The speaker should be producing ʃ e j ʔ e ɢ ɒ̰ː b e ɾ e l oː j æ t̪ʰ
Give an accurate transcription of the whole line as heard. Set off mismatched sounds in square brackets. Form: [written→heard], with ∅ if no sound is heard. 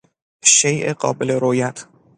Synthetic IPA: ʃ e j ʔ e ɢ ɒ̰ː b e [ɾ→l] e [l→ɾ] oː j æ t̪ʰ